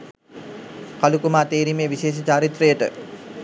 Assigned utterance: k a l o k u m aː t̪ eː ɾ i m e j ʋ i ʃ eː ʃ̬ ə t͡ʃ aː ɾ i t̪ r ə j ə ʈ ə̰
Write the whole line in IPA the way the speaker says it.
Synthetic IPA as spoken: k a l u k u m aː t̪ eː ɾ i m e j ʋ i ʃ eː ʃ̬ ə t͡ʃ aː ɾ i t̪ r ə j ə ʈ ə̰